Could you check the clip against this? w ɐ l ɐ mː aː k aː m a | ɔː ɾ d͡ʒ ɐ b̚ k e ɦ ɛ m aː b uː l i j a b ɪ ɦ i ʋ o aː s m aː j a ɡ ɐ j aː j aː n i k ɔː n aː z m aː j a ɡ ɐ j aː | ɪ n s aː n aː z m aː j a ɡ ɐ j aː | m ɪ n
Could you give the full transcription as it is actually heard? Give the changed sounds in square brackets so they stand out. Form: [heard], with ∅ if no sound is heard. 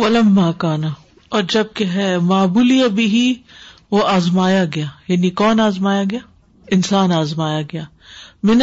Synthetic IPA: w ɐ l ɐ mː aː k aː [n] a | ɔː ɾ d͡ʒ ɐ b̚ k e ɦ ɛ m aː b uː l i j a b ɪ ɦ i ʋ o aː [z] m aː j a ɡ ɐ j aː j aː n i k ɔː n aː z m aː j a ɡ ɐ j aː | ɪ n s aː n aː z m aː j a ɡ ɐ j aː | m ɪ n